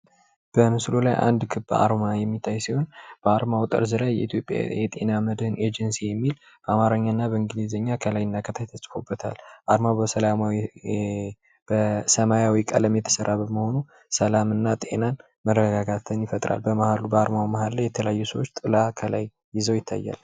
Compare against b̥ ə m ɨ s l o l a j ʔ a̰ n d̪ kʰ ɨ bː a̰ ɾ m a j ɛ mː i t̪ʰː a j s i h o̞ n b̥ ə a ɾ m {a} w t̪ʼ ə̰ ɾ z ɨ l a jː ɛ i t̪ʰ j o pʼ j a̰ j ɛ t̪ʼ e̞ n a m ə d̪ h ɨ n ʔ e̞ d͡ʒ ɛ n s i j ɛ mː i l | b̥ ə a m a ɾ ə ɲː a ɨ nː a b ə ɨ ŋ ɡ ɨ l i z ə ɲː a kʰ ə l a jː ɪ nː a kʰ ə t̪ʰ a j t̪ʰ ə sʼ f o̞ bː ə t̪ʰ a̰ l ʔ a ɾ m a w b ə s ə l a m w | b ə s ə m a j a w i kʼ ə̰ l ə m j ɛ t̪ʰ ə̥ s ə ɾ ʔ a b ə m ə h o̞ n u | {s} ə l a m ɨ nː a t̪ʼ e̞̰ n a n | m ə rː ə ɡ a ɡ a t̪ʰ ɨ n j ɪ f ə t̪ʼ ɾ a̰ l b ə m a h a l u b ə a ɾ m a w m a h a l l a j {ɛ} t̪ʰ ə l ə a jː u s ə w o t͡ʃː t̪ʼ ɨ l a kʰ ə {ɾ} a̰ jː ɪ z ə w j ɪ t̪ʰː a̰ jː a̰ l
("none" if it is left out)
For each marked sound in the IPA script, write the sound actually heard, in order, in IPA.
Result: a, s, ɛ, l

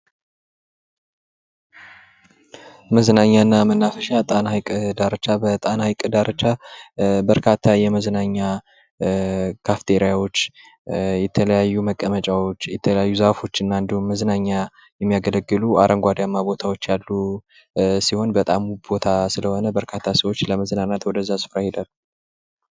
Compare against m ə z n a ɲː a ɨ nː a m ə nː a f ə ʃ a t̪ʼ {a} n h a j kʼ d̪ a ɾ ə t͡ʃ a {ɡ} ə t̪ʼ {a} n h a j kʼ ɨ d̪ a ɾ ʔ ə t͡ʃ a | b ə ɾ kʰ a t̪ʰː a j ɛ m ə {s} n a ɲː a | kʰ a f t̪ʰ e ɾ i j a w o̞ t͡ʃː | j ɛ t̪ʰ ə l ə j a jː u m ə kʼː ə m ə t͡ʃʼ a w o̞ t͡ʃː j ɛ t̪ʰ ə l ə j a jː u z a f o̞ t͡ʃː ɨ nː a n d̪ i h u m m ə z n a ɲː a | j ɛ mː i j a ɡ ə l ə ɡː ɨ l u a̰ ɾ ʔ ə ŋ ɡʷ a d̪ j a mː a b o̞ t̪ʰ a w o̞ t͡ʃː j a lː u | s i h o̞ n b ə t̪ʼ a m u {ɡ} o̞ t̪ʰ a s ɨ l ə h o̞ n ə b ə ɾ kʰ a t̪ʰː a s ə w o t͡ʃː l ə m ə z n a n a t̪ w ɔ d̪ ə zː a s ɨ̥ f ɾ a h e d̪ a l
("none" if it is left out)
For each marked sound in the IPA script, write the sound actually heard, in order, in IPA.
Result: a, b, a, z, b

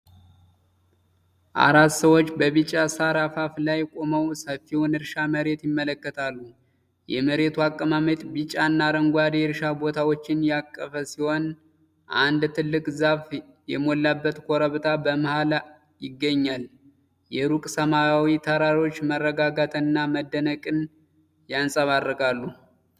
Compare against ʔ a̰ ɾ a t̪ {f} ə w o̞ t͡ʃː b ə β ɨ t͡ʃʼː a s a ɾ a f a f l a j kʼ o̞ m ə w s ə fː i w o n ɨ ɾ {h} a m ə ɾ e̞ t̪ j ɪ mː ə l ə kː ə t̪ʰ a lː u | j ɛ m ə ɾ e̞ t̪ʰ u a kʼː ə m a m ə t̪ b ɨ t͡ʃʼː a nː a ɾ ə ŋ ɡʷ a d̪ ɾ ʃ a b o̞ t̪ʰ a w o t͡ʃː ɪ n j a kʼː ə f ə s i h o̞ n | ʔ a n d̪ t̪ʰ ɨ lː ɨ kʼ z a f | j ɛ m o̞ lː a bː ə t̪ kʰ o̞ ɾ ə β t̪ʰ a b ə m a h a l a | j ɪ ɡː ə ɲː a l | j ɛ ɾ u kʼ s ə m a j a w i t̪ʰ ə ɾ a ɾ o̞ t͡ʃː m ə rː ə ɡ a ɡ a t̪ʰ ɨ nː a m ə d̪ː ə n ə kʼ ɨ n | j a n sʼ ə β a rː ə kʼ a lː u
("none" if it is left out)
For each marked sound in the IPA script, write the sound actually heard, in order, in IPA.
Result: s, ʃ

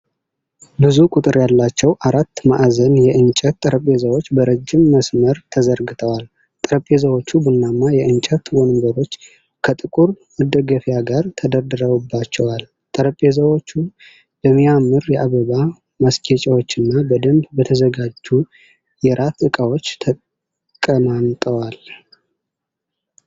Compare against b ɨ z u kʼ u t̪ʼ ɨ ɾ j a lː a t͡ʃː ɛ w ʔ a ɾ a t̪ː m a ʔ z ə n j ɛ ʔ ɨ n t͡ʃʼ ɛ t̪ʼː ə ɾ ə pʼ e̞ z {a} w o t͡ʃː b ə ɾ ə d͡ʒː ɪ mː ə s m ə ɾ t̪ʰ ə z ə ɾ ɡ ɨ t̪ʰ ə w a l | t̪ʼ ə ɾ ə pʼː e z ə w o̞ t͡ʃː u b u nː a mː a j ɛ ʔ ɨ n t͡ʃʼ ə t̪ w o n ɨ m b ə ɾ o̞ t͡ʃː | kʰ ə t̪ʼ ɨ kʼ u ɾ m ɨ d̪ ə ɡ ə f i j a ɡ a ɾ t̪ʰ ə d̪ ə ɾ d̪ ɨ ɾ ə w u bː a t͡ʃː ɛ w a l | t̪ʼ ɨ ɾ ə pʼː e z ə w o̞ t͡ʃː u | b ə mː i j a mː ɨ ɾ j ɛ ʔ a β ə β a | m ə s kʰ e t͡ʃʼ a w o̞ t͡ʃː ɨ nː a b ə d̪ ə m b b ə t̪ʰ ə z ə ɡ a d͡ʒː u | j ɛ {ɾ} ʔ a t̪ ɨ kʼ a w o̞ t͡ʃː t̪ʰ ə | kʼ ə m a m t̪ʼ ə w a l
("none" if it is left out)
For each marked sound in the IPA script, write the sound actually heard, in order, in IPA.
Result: ə, ɾ

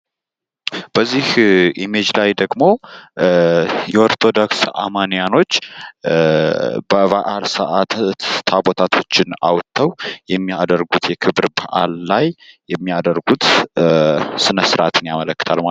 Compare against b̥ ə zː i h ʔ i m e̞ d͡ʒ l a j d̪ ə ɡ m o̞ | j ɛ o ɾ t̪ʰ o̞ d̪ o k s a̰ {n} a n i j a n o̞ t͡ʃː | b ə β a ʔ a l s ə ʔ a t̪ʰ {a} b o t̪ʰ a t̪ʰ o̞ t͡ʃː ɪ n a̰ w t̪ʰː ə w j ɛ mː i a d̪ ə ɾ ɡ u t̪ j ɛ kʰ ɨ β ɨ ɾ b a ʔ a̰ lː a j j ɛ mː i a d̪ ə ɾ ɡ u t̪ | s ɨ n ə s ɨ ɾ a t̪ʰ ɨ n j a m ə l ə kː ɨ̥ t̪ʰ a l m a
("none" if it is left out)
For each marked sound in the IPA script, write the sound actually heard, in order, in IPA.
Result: m, a

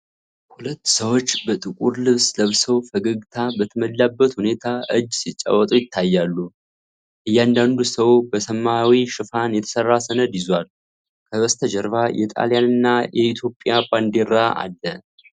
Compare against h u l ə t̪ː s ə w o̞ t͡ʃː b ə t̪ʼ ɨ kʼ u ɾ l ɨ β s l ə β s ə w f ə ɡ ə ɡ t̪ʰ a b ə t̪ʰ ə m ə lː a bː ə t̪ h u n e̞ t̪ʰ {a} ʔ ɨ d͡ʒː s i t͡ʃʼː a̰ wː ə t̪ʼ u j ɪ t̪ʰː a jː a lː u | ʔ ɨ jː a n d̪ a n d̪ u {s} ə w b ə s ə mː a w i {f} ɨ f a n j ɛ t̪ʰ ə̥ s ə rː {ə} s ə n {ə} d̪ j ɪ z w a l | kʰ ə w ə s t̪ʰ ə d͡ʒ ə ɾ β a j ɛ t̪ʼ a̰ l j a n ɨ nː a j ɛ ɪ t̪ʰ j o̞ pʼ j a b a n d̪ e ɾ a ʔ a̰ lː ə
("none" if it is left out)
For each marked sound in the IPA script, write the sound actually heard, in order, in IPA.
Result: a, s, ʃ, a, ə

